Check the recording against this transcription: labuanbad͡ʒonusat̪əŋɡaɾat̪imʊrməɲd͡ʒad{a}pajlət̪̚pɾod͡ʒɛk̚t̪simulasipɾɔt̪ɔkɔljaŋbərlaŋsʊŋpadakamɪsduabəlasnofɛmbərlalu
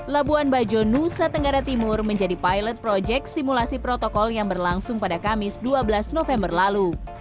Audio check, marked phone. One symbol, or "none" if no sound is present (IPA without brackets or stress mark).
i